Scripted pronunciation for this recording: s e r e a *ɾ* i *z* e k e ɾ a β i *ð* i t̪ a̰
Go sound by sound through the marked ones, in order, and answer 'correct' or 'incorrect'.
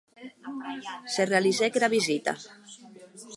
incorrect: l, correct, incorrect: z

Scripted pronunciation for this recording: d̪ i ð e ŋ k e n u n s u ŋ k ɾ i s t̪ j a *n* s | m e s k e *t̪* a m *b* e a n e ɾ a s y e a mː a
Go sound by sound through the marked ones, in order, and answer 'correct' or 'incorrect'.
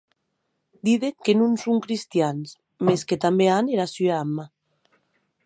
correct, correct, correct

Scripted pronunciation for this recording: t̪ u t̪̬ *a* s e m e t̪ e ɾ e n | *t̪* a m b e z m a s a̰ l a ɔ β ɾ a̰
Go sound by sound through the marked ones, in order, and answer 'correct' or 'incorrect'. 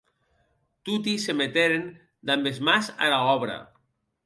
incorrect: i, incorrect: d̪

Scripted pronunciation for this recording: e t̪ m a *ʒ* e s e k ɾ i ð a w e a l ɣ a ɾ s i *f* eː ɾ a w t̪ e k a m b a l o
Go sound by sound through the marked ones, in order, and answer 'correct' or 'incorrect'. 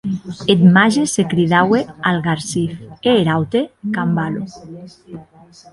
correct, correct

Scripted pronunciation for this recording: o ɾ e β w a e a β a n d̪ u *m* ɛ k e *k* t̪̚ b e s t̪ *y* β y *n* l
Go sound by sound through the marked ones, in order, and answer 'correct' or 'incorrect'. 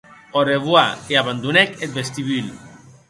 incorrect: n, incorrect: none, incorrect: i, incorrect: none

